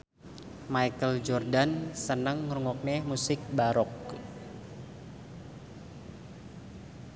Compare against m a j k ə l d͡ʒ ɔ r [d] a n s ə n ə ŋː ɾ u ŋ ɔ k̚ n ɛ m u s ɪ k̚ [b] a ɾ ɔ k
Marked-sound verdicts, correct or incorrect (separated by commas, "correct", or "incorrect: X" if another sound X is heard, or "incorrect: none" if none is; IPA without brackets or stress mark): correct, correct